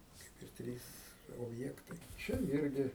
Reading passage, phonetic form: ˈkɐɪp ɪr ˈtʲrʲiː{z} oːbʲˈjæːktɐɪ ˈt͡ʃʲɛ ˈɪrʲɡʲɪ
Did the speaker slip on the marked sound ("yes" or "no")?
yes